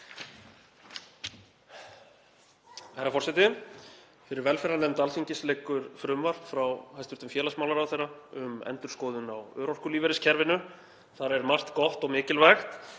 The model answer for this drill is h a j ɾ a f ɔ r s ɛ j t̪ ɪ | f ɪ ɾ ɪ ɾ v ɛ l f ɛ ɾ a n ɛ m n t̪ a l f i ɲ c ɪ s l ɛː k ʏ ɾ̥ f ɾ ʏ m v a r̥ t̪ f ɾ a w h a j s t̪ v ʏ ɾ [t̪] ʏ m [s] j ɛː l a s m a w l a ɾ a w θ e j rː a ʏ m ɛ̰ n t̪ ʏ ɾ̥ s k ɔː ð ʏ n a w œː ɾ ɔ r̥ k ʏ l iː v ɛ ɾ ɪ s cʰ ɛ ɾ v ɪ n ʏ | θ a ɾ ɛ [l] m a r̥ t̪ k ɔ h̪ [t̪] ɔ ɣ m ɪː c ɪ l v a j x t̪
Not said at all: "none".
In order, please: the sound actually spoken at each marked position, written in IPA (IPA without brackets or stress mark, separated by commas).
t̪, f, ɾ, t̪